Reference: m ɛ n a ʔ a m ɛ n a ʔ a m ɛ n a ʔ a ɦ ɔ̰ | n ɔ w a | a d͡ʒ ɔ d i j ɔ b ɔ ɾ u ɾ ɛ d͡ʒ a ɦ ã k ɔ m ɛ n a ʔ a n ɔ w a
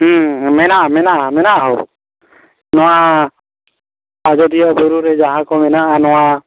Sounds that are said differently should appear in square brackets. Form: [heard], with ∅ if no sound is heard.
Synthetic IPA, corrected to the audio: m ɛ n a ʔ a m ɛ n a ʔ a m ɛ n a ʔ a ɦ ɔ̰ | n ɔ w a | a d͡ʒ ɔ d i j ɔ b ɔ ɾ u ɾ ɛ d͡ʒ a ɦ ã k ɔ m ɛ n a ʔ a n ɔ w a